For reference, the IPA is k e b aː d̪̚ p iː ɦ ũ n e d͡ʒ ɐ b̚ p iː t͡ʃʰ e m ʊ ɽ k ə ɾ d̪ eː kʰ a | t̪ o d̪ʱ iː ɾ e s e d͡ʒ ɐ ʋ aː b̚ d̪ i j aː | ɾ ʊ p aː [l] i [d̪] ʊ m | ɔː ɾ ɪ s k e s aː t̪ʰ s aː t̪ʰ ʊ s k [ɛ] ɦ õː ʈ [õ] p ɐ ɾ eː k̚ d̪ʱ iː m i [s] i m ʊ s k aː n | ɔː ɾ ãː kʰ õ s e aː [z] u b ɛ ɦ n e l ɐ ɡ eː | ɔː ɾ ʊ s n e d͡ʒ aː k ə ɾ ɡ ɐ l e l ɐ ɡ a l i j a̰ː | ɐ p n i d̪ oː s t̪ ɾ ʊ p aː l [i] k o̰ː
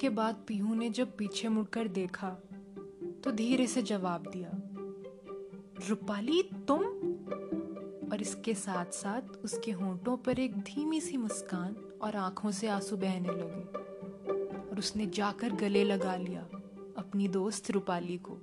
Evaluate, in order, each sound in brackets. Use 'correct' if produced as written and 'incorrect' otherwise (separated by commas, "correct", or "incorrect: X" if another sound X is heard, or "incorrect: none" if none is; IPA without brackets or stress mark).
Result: correct, incorrect: t̪, incorrect: e, correct, correct, incorrect: s, correct